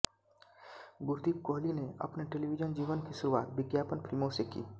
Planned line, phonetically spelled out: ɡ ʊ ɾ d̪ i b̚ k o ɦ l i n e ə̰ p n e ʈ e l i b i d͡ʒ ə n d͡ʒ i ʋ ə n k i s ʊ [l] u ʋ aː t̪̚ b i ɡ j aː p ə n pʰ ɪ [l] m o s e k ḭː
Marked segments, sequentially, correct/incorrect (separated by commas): incorrect, correct